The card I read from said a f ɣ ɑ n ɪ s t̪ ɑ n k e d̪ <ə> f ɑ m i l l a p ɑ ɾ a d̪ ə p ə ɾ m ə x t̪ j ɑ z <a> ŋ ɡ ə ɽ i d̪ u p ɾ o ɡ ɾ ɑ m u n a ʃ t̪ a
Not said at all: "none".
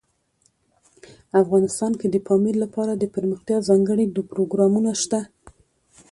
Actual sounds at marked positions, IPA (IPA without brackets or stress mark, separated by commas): ə, ɑ